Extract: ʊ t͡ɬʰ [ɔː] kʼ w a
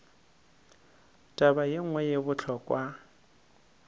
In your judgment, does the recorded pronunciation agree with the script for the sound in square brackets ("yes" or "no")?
no